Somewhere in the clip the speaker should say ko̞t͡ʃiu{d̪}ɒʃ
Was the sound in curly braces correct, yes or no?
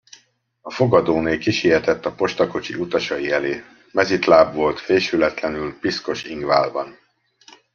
no